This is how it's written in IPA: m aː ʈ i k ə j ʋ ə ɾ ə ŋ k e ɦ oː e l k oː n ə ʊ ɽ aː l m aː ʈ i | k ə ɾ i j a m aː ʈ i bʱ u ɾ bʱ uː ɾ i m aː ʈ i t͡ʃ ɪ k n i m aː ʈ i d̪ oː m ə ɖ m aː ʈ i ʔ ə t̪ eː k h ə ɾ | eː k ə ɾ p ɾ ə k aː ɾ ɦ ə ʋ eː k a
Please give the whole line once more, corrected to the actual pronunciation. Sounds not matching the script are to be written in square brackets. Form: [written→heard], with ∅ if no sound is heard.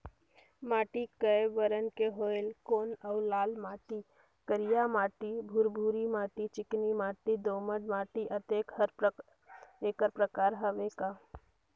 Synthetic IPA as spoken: m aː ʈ i k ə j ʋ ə ɾ ə [ŋ→n] k e ɦ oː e l k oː n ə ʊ [ɽ→l] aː l m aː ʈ i | k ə ɾ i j a m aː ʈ i bʱ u ɾ bʱ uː ɾ i m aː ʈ i t͡ʃ ɪ k n i m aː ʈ i d̪ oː m ə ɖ m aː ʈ i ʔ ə t̪ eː k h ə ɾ | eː k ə ɾ p ɾ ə k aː ɾ ɦ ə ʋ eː k a